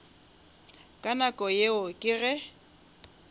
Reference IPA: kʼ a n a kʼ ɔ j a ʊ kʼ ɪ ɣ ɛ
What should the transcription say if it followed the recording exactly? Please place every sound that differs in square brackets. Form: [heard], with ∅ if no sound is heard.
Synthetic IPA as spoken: kʼ a n a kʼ ɔ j [e] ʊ kʼ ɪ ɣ ɛ